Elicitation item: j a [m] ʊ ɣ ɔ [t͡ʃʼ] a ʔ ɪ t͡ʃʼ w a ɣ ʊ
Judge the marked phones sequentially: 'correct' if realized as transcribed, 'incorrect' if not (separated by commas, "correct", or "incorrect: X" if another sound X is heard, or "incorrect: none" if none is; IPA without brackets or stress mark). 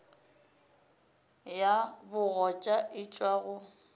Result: incorrect: b, correct